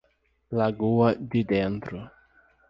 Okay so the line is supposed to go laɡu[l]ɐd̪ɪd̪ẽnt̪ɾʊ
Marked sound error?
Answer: yes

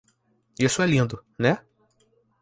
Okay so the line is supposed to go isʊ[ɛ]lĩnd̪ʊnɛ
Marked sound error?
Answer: no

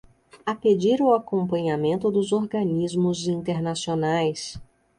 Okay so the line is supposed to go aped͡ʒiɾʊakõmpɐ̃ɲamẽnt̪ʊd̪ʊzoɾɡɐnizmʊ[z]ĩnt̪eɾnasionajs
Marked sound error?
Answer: no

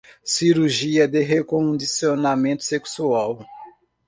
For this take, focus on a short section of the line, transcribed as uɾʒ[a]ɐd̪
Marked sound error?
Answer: yes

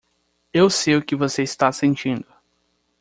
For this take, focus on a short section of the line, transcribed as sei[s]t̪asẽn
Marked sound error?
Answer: no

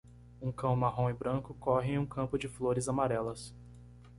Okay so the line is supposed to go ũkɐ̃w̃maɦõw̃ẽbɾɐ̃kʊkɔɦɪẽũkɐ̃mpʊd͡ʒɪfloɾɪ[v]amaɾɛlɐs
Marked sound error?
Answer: yes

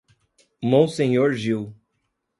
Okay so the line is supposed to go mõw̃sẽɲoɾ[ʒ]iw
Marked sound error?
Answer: no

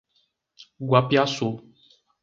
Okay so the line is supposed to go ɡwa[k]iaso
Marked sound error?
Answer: yes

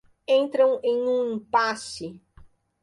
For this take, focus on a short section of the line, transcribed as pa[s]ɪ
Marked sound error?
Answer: no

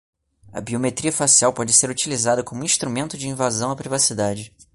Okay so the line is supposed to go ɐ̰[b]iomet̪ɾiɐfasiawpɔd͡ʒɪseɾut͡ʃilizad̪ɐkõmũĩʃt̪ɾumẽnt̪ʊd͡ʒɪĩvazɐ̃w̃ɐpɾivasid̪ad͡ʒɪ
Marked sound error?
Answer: no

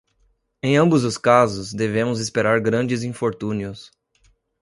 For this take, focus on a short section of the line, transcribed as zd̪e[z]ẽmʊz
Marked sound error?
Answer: yes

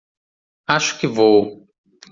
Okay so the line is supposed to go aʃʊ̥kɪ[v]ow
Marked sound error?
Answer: no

